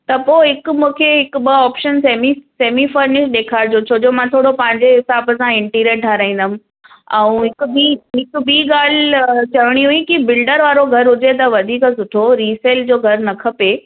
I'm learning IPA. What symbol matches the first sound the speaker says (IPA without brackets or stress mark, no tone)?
t̪